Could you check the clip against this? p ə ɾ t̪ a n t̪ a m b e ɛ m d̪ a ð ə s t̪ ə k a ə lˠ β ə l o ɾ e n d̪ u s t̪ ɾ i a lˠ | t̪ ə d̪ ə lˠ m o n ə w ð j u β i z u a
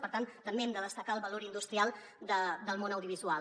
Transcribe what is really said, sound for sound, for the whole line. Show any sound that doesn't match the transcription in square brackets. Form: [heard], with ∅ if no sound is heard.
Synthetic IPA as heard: p ə ɾ t̪ a n t̪ [ə] m b e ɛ m d̪ [ə] ð ə s t̪ ə k a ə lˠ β ə l o ɾ [i] n d̪ u s t̪ ɾ i a lˠ | [d̪] ə d̪ ə lˠ m o n ə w ð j u β i z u a